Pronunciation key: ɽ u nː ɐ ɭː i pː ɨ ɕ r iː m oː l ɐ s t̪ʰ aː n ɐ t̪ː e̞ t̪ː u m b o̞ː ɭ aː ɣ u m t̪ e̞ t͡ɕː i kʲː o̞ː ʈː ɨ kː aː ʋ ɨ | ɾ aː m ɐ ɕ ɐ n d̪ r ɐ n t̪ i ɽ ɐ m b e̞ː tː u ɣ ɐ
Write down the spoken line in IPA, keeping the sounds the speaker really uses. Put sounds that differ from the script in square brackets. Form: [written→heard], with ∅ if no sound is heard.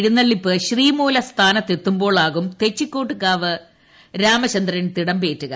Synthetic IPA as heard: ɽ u nː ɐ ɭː i pː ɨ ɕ r iː m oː l ɐ s t̪ʰ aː n ɐ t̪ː e̞ t̪ː u m b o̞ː ɭ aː ɣ u m t̪ e̞ t͡ɕː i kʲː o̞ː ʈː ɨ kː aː ʋ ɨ | ɾ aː m ɐ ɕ ɐ n d̪ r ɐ n t̪ i ɽ ɐ m b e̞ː tː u ɣ ɐ